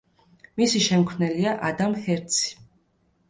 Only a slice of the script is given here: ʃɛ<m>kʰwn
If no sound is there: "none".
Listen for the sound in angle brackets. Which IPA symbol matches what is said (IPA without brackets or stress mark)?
m